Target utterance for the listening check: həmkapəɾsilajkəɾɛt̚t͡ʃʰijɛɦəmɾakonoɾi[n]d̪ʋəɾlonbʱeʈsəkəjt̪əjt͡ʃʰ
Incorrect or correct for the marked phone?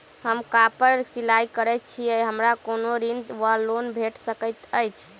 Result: correct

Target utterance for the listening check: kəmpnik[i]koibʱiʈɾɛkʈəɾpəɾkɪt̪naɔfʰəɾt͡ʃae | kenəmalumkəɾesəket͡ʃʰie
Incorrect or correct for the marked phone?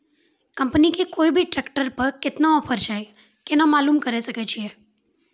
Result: incorrect: e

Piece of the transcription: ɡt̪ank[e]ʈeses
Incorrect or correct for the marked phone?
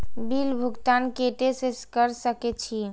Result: correct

